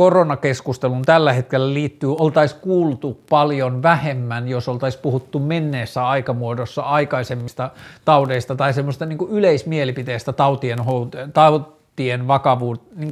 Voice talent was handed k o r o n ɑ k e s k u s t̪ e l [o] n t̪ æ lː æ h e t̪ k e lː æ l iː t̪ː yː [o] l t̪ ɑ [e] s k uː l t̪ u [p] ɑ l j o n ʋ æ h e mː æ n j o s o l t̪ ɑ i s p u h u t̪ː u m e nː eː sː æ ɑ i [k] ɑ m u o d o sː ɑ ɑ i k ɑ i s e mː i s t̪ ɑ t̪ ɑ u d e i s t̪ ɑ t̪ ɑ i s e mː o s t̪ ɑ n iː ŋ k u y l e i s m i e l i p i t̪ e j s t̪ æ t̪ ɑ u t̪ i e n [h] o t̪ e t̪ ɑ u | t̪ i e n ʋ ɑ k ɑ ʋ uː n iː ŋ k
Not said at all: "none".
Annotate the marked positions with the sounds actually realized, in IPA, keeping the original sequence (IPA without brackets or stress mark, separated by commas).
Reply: u, o, i, p, k, h